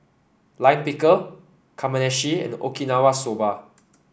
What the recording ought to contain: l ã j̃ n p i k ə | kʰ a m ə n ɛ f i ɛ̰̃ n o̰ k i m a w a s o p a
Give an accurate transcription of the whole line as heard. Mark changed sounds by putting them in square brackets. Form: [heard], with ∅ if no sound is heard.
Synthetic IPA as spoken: l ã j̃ n p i k ə | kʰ a m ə n ɛ [ʃ] i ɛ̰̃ n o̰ k i [n] a w a s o [b] a